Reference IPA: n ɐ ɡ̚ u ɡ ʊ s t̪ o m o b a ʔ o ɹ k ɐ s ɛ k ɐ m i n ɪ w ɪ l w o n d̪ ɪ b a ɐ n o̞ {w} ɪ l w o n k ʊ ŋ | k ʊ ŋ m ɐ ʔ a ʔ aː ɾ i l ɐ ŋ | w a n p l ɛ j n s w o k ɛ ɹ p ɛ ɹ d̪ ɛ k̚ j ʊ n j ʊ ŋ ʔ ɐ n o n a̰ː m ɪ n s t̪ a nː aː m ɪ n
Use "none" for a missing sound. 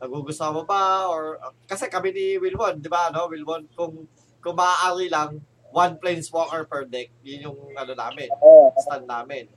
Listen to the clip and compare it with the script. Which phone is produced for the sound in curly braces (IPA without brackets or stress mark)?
w